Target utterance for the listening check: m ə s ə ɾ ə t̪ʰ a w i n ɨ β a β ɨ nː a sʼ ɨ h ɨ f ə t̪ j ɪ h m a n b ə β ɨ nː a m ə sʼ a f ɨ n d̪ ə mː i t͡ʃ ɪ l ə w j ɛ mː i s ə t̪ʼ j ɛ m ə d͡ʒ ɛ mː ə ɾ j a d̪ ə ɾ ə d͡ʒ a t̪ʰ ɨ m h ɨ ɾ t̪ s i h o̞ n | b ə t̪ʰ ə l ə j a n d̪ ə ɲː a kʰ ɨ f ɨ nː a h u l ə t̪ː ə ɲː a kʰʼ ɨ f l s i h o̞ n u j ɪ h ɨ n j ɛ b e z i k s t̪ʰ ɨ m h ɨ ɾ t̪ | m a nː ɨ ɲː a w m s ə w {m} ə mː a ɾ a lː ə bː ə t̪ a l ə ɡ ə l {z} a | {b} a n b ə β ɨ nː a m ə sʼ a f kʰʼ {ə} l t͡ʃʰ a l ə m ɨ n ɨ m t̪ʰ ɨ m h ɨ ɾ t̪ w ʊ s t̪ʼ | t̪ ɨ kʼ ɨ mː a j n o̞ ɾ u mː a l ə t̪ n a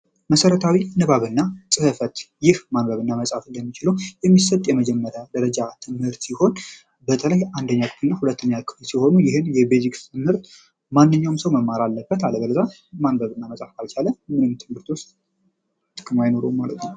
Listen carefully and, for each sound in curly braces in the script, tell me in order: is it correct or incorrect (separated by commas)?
correct, correct, incorrect, incorrect